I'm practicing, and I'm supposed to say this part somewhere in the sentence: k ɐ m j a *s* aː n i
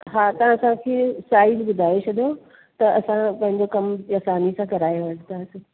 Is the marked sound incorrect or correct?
correct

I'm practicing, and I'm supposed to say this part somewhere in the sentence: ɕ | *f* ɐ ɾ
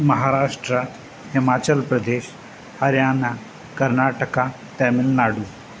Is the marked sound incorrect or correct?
incorrect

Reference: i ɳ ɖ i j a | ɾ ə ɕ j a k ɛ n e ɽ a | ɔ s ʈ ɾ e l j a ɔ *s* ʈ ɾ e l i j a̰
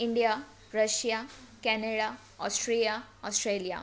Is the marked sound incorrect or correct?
correct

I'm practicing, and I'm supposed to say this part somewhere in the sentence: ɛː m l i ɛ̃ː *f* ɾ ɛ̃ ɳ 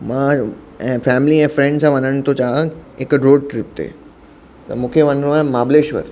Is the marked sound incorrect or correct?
correct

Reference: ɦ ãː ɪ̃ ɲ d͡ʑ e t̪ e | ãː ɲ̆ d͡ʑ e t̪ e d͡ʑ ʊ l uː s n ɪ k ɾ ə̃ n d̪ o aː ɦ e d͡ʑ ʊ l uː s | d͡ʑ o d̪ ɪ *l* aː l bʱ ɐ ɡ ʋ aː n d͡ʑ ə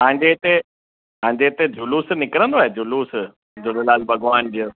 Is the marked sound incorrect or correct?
correct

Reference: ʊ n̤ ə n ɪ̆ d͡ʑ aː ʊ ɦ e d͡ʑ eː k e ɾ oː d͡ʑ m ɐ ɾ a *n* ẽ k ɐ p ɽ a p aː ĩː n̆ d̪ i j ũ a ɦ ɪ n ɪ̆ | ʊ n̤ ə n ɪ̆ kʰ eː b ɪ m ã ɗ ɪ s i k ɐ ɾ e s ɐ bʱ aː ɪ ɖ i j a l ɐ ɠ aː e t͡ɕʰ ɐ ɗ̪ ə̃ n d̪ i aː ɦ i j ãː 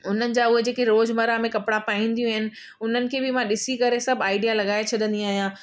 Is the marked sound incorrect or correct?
incorrect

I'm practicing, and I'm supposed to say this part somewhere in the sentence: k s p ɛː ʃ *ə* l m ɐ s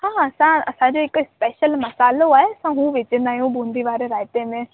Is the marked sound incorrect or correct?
correct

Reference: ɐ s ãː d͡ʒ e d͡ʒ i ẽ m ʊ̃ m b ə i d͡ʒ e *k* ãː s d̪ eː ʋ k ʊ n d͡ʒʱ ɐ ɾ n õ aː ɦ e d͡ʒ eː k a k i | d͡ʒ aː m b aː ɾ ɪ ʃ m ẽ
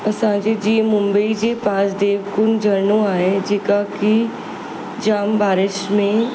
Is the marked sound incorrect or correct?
incorrect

